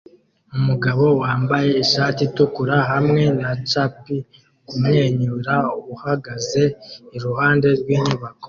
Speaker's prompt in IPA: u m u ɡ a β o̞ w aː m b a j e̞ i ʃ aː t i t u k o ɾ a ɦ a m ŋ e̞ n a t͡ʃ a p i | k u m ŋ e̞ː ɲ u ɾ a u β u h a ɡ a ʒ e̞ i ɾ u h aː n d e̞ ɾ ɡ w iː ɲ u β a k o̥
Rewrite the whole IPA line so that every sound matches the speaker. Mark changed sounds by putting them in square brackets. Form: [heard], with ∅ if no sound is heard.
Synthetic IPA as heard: u m u ɡ a β o̞ w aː m b a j e̞ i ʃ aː t i t u k [u] ɾ a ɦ a m ŋ e̞ n a t͡ʃ a p i | k u m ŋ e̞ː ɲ u ɾ a u β u h a ɡ a [z] e̞ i ɾ u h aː n d e̞ ɾ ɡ w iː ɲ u β a k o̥